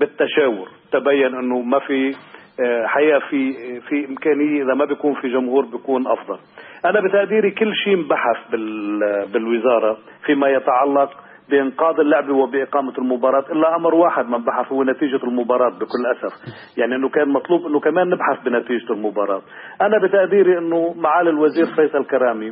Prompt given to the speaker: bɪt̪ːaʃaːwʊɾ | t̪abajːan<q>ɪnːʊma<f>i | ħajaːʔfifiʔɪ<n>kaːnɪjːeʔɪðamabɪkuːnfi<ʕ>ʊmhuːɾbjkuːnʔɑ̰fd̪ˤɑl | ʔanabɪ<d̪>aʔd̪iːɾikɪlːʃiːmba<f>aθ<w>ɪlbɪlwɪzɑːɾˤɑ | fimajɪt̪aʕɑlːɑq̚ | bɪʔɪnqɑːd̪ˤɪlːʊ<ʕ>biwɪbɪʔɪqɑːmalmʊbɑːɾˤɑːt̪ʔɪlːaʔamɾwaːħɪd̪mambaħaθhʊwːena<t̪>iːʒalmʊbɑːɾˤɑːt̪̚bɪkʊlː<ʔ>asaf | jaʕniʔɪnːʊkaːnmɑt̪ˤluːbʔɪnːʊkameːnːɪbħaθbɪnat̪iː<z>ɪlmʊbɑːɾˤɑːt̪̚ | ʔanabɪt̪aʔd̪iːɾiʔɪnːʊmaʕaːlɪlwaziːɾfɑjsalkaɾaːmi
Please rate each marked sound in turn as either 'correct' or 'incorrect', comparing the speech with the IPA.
incorrect: ʔ, correct, incorrect: m, incorrect: ʒ, incorrect: t̪, incorrect: ħ, incorrect: b, correct, correct, correct, incorrect: ʒ

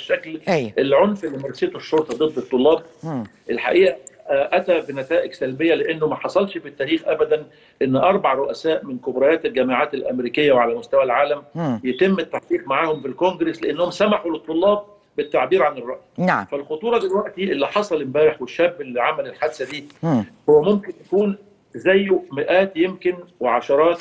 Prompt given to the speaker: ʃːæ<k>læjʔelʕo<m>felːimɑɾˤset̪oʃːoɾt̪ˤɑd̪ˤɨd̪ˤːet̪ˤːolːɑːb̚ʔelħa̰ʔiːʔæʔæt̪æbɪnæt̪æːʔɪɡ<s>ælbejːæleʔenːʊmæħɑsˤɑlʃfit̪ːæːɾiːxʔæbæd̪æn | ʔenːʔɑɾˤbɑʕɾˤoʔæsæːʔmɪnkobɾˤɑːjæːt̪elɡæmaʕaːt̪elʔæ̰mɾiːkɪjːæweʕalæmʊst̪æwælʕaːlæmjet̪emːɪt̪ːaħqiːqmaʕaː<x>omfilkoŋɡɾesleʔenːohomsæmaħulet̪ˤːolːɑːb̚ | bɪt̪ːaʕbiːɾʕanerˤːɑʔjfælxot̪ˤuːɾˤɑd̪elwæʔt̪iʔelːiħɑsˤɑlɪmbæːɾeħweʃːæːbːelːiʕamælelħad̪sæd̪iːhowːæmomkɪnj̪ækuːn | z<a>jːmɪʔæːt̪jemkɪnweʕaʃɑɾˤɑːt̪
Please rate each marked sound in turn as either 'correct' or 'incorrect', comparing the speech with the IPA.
correct, incorrect: n, correct, incorrect: h, incorrect: æ

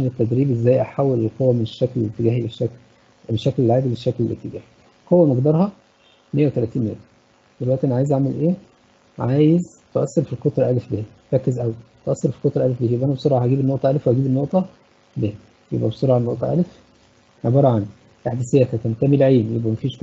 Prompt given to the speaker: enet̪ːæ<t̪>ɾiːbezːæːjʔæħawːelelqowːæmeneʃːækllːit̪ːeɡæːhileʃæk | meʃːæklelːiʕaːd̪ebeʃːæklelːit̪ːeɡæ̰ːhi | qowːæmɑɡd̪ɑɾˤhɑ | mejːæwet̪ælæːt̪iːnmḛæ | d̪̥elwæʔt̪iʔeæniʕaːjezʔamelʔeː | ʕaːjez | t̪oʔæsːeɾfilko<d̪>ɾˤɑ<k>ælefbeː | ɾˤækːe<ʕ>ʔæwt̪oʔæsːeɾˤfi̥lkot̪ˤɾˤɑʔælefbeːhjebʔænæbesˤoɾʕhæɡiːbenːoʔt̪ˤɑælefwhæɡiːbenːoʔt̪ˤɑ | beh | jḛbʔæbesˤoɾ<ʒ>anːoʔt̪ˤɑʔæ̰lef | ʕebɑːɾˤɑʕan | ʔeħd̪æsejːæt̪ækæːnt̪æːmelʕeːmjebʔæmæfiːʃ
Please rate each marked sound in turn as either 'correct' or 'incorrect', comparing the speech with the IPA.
incorrect: d̪, incorrect: t̪, incorrect: ʔ, incorrect: z, incorrect: ʕ

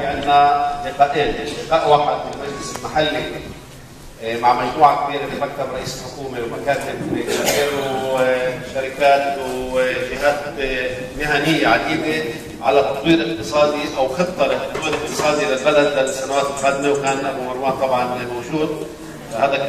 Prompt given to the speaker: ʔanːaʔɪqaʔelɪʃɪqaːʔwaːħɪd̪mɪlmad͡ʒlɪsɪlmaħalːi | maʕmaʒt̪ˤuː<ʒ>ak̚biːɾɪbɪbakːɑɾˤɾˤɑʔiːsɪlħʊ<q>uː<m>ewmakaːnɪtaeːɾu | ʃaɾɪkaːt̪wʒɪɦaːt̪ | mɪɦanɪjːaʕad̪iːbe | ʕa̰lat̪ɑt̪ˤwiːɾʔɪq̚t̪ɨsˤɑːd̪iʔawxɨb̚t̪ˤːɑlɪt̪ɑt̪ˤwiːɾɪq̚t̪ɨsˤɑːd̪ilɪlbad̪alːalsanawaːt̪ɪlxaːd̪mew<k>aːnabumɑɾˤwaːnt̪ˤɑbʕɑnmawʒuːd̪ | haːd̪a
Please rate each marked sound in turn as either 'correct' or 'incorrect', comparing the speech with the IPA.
incorrect: ʕ, incorrect: k, correct, correct

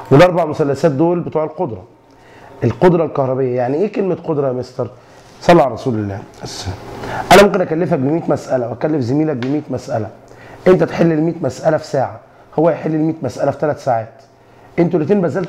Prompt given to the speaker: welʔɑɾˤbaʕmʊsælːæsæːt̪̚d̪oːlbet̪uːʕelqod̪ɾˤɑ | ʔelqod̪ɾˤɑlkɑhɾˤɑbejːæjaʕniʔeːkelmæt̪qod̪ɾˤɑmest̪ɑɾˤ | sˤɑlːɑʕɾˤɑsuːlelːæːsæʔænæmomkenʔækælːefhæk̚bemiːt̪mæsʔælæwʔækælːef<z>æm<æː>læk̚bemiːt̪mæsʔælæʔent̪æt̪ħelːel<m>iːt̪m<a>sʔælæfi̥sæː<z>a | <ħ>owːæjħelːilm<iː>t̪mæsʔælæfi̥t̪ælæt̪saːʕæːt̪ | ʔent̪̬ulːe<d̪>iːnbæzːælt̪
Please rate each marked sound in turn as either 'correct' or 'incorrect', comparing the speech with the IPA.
correct, incorrect: iː, correct, incorrect: æ, incorrect: ʕ, incorrect: h, correct, incorrect: t̪

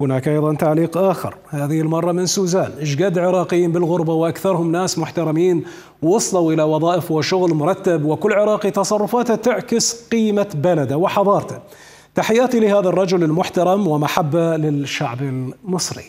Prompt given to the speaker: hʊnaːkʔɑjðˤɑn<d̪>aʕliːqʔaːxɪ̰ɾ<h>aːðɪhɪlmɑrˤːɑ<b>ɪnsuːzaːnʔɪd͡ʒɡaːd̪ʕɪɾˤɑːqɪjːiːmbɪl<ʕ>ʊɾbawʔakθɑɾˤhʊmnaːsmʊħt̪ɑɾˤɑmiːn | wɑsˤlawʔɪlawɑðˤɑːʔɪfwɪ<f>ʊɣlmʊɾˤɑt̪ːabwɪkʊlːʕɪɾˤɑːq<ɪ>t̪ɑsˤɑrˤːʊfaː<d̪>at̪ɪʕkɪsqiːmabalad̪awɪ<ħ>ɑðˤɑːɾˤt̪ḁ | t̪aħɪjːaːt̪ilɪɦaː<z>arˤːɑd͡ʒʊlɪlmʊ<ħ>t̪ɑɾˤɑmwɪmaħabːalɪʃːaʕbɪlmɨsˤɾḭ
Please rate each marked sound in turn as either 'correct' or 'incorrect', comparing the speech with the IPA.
incorrect: t̪, correct, incorrect: m, incorrect: ɣ, incorrect: ʃ, incorrect: i, incorrect: t̪, correct, incorrect: ð, correct

